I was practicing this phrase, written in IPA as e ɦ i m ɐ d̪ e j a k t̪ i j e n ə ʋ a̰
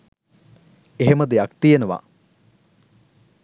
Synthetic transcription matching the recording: e ɦ e m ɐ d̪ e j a k t̪ i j e n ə ʋ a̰